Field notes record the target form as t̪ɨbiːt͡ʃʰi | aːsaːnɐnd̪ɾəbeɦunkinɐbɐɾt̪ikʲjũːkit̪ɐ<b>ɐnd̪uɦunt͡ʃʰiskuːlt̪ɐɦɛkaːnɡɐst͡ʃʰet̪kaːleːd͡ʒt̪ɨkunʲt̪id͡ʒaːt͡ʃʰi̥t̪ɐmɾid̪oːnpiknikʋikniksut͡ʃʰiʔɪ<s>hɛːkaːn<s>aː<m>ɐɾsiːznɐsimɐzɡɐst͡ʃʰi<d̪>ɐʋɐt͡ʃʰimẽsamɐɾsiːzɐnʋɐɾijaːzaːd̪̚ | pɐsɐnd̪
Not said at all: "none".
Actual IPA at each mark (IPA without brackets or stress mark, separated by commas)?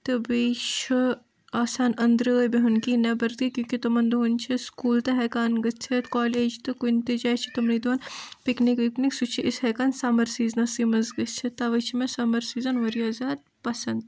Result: m, s, s, m, t̪